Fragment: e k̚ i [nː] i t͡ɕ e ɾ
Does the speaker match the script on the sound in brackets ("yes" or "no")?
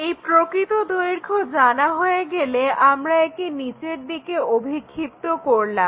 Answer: no